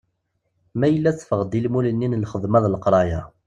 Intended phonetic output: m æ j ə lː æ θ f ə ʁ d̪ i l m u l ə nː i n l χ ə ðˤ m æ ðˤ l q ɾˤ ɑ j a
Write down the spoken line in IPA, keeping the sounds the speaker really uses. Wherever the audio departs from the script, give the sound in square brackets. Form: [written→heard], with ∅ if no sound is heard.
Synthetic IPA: m æ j ə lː æ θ f ə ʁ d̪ i l m u l ə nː i n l χ ə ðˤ m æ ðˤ l q ɾˤ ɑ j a